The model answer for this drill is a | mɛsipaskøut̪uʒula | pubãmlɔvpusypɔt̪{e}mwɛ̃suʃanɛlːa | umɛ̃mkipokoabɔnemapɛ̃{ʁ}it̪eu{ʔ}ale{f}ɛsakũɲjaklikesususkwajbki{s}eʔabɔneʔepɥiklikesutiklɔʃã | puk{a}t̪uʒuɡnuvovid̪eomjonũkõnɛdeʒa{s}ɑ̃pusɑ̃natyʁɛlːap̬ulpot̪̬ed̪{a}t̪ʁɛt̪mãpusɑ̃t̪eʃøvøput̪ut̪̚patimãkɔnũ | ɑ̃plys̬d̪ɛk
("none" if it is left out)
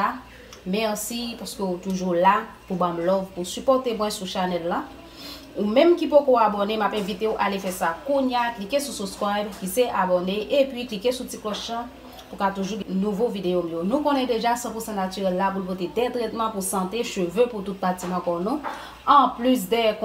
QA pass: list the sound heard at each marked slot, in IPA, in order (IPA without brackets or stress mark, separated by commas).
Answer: e, v, ʔ, f, s, a, s, ɛ